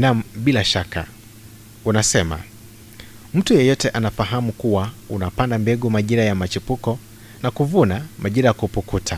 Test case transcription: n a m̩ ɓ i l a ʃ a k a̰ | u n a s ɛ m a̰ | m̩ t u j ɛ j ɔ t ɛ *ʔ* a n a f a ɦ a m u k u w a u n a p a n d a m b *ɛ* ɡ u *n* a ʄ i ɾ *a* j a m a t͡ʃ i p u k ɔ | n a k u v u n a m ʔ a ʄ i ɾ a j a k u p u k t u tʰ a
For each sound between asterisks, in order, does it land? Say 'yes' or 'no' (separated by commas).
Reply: yes, yes, no, yes